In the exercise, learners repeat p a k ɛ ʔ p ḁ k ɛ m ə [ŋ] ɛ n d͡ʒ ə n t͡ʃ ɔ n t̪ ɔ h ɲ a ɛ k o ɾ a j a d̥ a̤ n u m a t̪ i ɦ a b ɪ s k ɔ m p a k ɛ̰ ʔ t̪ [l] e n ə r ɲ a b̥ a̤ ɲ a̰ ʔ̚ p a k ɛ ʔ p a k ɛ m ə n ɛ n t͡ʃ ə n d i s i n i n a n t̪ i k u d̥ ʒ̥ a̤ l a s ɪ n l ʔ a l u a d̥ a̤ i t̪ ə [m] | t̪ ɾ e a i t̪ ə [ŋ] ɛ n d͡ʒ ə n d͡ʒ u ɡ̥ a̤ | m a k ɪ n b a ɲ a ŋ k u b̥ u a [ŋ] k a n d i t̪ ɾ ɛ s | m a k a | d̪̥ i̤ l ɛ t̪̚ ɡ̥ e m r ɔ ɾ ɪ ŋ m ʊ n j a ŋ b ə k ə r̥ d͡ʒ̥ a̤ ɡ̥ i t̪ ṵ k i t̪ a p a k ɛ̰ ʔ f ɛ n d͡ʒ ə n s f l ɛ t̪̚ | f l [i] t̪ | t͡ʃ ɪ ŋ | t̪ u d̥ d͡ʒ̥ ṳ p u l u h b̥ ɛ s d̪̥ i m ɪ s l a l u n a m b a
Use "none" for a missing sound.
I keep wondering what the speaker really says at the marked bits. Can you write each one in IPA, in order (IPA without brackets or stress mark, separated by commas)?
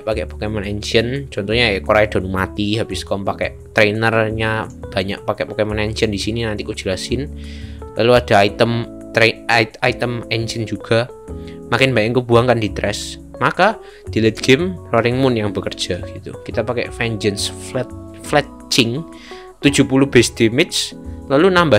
n, ɾ, m, m, ŋ, ɛ